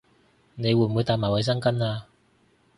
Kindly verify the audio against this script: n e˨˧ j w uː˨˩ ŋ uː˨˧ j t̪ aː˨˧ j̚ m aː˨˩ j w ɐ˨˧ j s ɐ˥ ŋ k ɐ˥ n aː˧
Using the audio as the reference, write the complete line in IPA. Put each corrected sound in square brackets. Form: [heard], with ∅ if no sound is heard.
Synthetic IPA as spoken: n e˨˧ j w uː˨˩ [m] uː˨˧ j t̪ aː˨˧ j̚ m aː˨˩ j w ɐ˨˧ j s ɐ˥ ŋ k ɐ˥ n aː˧